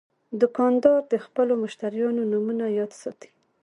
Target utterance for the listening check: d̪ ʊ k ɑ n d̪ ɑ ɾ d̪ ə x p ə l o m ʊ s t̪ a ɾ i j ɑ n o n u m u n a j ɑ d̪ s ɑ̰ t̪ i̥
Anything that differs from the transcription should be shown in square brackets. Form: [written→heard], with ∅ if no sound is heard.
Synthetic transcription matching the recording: d̪ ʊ k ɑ n d̪ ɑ ɾ d̪ ə x p ə l o m ʊ [s→ʃ] t̪ a ɾ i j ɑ n o n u m u n a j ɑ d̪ s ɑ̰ t̪ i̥